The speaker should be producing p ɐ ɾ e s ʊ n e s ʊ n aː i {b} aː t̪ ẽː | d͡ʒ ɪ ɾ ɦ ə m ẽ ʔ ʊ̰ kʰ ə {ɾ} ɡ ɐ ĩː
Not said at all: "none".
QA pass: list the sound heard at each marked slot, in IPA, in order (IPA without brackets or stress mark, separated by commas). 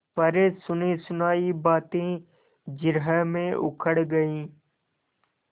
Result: b, ɽ